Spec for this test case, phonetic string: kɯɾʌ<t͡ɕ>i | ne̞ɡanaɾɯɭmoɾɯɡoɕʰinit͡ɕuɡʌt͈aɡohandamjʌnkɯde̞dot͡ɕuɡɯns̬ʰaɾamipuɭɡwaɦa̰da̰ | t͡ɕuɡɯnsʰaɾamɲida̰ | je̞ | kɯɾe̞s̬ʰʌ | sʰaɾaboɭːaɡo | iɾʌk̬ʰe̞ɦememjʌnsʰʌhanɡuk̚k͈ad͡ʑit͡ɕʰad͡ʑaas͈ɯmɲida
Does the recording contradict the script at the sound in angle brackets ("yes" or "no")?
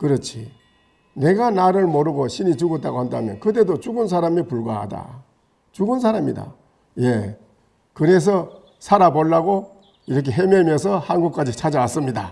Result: yes